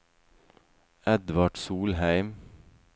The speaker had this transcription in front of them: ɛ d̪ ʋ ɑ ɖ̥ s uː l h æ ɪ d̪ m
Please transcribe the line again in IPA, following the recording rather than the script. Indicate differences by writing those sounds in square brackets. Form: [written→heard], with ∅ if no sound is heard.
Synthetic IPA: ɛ d̪ ʋ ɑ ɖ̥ s uː l h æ ɪ [d̪→∅] m